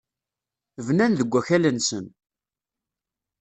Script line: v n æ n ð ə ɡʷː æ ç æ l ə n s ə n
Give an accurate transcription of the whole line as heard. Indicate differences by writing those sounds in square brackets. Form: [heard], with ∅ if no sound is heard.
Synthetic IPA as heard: v n æ n ð ə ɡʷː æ ç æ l ə n s ə n